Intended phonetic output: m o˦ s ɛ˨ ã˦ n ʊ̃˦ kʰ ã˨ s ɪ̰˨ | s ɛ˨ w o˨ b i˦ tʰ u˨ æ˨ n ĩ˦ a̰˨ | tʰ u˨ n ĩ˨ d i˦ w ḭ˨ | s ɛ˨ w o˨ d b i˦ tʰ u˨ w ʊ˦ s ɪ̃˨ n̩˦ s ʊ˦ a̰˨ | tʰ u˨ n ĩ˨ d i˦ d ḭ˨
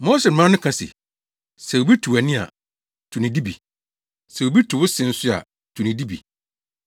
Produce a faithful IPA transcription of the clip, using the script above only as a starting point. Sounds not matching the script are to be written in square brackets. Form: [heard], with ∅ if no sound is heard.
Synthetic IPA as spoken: m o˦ s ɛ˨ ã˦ n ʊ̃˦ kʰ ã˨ s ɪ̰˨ | s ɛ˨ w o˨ b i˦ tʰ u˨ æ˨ n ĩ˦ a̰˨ | tʰ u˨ n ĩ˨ d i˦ [b] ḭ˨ | s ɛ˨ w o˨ [∅] b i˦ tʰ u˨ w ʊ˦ s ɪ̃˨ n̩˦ s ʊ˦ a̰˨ | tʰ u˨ n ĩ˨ d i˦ [b] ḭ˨